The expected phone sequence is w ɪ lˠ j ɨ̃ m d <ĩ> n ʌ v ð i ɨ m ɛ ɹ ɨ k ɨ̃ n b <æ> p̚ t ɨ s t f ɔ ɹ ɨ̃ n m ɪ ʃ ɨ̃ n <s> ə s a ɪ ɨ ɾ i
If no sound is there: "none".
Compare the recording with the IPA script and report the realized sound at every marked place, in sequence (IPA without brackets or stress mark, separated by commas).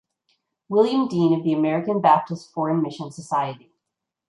ĩ, æ, s